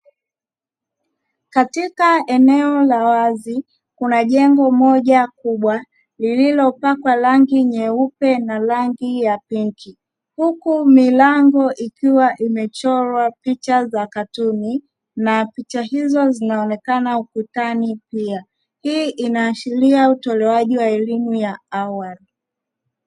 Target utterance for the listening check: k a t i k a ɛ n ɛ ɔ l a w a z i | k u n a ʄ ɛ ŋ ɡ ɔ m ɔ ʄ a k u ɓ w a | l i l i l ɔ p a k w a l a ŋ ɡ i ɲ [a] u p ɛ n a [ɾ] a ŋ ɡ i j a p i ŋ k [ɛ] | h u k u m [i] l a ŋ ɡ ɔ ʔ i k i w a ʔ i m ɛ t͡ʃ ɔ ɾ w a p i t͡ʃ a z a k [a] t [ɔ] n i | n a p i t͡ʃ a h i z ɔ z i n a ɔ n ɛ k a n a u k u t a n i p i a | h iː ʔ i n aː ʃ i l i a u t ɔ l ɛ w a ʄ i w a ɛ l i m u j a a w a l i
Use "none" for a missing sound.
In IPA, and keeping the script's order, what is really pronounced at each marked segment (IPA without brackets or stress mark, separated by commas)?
ɛ, l, i, i, a, u